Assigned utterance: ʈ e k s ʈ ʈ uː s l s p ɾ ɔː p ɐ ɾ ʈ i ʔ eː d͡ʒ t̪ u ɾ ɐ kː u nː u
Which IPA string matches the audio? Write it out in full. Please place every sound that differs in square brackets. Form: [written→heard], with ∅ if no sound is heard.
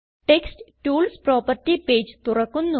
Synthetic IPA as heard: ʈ e k s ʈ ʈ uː [s→∅] l s p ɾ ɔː p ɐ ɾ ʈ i [ʔ→p] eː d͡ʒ t̪ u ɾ ɐ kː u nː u